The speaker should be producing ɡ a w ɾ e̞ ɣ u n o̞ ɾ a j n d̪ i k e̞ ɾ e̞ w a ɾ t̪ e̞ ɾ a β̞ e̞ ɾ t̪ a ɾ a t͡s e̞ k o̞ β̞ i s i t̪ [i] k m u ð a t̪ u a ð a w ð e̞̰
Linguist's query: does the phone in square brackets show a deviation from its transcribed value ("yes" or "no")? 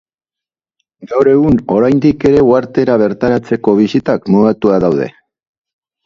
yes